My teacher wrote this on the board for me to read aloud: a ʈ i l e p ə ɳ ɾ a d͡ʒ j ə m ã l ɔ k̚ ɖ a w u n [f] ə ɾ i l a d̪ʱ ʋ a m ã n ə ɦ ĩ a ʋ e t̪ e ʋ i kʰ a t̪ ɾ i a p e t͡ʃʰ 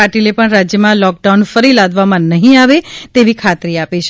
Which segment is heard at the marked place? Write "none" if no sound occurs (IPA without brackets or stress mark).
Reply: f